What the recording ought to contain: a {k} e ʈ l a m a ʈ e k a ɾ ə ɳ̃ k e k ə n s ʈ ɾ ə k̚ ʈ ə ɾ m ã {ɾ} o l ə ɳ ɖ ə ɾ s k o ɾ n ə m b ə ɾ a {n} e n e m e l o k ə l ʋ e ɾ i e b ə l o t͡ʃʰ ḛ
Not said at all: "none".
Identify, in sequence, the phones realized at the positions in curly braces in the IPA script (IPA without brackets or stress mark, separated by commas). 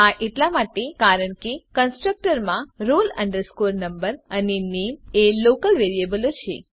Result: ʔ, ɾ, n